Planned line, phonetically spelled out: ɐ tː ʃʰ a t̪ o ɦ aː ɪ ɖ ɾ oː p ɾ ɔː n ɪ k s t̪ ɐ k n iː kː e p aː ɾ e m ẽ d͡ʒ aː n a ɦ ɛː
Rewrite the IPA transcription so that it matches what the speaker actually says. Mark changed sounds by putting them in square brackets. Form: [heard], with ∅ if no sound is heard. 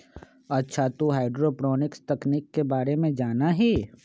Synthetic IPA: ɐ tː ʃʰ a t̪ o ɦ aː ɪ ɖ ɾ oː p ɾ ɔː n ɪ k s t̪ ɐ k n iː kː e [b] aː ɾ e m ẽ d͡ʒ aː n a ɦ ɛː

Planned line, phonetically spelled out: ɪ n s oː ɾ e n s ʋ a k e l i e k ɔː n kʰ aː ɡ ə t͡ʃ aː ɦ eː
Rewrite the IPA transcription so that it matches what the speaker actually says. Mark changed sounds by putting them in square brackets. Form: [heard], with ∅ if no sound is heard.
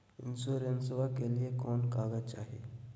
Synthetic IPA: ɪ n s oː ɾ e n s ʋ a k e l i e k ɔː n [k] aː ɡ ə t͡ʃ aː ɦ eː

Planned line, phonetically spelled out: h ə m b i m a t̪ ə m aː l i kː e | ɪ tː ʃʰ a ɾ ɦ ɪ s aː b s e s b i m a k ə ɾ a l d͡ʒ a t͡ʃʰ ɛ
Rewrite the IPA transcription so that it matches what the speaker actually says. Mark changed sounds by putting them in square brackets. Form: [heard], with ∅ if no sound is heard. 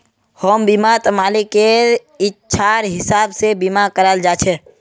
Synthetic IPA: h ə m b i m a t̪ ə m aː l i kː e | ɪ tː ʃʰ a ɾ ɦ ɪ s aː b s e [∅] b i m a k ə ɾ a l d͡ʒ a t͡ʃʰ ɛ

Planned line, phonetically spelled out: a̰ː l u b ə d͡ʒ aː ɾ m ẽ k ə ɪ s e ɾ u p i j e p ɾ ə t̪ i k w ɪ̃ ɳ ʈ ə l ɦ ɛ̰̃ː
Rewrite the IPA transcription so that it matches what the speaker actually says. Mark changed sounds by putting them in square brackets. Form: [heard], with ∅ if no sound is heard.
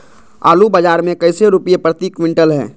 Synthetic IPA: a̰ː l u b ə d͡ʒ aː ɾ m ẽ k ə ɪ s e ɾ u p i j e p ɾ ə t̪ i k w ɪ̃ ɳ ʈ ə l ɦ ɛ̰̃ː

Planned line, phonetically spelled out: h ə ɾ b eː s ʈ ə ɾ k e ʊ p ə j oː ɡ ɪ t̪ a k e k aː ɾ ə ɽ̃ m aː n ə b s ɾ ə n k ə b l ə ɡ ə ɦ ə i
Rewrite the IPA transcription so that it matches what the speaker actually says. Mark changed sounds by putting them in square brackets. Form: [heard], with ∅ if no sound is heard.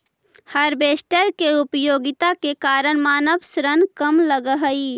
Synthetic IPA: h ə ɾ b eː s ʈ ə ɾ k e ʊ p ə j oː ɡ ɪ t̪ a k e k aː ɾ ə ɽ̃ m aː n ə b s ɾ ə n k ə [m] l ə ɡ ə ɦ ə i

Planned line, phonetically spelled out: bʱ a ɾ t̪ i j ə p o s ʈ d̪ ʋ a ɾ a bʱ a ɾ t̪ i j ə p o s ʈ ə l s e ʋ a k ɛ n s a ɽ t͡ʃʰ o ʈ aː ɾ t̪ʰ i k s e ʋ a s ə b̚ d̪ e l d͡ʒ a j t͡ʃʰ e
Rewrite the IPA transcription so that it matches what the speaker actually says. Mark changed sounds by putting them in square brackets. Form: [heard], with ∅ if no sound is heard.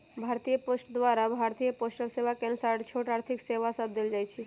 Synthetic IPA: bʱ a ɾ t̪ i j ə p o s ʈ d̪ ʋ a ɾ a bʱ a ɾ t̪ i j ə p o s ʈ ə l s e ʋ a k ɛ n s a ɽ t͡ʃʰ o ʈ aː ɾ t̪ʰ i k s e ʋ a s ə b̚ d̪ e l d͡ʒ a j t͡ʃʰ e

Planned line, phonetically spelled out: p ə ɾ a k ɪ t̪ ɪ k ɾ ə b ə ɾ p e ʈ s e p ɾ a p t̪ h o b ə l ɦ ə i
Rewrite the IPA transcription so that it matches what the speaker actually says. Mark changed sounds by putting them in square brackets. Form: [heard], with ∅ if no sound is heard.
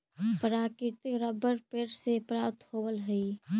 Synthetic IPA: p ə ɾ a k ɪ t̪ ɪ k ɾ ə b ə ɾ p e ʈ s e p ɾ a p t̪ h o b ə l ɦ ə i

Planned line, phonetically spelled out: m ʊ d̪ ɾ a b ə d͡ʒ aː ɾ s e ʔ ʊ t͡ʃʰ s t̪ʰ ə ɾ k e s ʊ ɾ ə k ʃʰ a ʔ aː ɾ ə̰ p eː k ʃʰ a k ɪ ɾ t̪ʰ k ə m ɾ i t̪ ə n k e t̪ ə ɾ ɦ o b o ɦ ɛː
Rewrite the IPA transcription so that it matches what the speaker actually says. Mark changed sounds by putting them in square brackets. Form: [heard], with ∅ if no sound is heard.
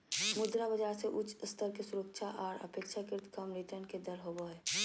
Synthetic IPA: m ʊ d̪ ɾ a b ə d͡ʒ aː ɾ s e ʔ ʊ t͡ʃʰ s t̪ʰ ə ɾ k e s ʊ ɾ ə k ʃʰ a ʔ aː ɾ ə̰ p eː k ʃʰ a k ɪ ɾ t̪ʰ k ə m ɾ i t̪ ə n k e [d̪] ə ɾ ɦ o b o ɦ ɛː

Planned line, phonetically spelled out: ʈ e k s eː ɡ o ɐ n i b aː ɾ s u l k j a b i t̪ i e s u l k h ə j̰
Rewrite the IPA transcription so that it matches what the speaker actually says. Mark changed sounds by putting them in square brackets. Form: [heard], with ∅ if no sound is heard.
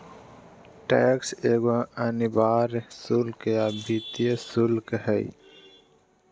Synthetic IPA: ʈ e k s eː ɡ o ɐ n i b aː ɾ s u l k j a b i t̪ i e s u l k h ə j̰

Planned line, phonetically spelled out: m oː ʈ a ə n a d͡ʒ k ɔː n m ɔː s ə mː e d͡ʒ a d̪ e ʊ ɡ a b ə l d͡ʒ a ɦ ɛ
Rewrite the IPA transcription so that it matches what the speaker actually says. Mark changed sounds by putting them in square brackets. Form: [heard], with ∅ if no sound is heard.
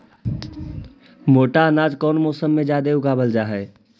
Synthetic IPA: m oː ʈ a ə n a d͡ʒ k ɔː n m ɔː s ə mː e d͡ʒ a d̪ e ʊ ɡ a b ə l d͡ʒ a ɦ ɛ

